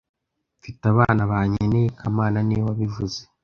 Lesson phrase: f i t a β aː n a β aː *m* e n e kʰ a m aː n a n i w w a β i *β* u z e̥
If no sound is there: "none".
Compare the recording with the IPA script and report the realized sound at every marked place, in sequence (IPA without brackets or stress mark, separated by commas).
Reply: ɲ, v